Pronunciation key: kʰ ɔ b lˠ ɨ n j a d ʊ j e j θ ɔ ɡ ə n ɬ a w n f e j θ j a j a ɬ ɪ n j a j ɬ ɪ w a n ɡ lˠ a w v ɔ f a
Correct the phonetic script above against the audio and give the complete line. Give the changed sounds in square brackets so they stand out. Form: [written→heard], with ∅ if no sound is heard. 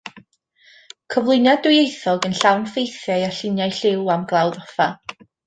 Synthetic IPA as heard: kʰ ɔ [b→v] lˠ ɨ n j a d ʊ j e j θ ɔ ɡ ə n ɬ a w n f e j θ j a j a ɬ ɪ n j a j ɬ ɪ w a [n→m] ɡ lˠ a w [v→ð] ɔ f a